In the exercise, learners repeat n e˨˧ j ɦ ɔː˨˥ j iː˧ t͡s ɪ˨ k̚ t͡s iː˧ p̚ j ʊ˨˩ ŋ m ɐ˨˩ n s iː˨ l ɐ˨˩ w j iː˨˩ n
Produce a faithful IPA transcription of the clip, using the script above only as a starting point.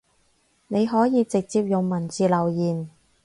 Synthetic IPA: n e˨˧ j ɦ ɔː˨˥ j iː˧ t͡s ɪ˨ k̚ t͡s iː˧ p̚ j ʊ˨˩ ŋ m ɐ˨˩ n t͡s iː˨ l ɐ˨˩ w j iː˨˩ n